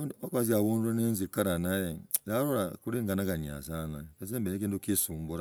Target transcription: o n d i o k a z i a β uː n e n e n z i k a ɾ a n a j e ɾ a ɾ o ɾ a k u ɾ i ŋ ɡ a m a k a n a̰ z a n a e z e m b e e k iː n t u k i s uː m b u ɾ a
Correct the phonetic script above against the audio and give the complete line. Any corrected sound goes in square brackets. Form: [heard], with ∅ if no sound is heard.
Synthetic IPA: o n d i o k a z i a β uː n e n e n z i k a ɾ a n a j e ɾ a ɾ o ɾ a k u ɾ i ŋ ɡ a [n] a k a [ɲ] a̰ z a n a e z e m b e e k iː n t u k i s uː m b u ɾ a